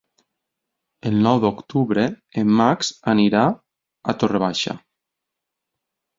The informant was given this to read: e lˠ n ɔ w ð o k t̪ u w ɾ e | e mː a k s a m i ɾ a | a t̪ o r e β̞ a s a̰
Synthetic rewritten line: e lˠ n ɔ w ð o k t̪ u β ɾ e | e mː a k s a n i ɾ a | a t̪ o r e β̞ a ʃ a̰